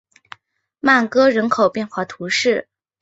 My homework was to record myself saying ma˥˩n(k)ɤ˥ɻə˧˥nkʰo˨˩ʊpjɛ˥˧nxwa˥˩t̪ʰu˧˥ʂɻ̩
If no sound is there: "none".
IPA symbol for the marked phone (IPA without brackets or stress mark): k